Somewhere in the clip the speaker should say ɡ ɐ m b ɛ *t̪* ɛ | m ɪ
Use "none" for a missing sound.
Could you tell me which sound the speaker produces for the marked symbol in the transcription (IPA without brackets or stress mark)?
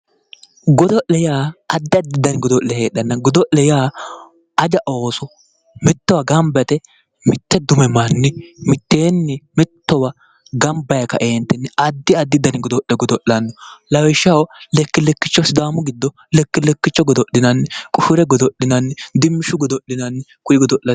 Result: t̪